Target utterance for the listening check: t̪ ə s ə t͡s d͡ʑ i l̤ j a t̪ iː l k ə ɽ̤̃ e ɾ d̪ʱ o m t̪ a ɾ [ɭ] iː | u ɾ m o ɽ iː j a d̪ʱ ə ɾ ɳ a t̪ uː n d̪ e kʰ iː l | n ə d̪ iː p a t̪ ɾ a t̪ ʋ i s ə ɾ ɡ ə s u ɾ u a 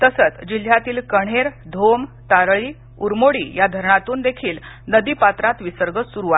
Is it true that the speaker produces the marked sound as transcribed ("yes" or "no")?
yes